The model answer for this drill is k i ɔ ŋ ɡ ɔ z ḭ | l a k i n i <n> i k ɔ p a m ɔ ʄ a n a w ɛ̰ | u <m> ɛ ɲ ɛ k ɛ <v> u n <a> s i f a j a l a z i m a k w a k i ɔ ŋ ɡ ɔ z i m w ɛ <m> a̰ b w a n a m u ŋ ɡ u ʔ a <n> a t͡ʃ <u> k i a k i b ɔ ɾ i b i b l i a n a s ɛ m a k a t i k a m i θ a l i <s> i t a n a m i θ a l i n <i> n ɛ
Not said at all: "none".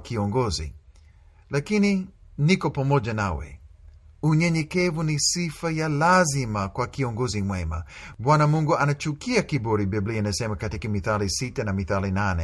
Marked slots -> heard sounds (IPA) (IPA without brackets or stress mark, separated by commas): n, ɲ, v, i, m, n, u, s, a